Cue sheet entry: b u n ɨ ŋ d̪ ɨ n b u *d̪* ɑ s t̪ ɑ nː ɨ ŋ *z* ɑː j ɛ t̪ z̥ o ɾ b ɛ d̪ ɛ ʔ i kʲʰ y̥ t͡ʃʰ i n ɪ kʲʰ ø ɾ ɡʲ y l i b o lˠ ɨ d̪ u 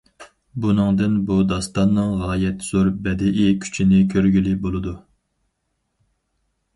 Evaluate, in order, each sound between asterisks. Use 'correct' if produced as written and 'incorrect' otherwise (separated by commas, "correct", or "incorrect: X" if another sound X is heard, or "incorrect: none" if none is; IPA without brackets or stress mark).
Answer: correct, incorrect: ʁ